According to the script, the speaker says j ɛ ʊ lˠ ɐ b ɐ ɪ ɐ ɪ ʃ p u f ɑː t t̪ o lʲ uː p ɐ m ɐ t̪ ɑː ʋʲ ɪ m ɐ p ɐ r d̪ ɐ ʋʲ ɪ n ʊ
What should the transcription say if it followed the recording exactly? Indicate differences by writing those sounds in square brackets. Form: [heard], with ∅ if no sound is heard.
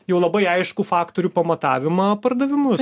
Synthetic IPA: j ɛ ʊ lˠ ɐ b ɐ ɪ ɐ ɪ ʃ [k] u f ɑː [k] t̪ o [ɾʲ] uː p ɐ m ɐ t̪ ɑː ʋʲ ɪ m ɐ p ɐ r d̪ ɐ ʋʲ ɪ [m] ʊ